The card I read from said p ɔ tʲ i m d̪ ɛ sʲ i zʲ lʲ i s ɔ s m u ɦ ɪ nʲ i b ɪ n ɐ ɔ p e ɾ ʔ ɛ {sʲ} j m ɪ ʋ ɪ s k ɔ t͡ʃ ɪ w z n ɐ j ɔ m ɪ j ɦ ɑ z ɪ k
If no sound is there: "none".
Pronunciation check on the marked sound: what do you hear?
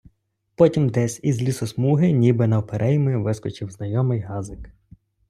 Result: none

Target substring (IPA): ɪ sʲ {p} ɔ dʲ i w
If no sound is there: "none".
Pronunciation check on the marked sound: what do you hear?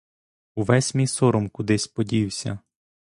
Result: p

